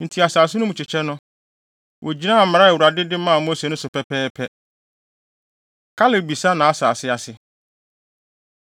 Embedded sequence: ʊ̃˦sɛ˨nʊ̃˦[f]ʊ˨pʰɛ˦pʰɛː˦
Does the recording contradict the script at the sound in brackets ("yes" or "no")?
yes